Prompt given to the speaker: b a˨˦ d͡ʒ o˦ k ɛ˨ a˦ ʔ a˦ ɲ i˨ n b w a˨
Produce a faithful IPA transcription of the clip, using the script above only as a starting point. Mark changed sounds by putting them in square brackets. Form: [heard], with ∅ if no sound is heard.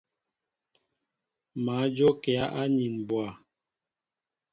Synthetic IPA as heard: [m] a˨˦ d͡ʒ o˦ k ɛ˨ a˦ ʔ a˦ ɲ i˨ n b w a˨